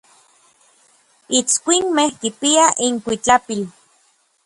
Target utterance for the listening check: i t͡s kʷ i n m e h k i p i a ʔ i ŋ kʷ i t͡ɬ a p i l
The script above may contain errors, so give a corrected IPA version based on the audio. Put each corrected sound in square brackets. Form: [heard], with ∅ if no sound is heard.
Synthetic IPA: i t͡s kʷ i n m e h k i p i a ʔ i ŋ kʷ i t͡ɬ a p i l